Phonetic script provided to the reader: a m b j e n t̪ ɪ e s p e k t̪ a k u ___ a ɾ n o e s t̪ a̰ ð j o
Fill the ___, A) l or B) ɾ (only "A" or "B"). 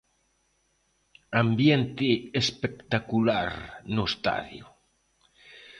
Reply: A